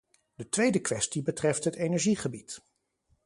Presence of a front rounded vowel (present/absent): absent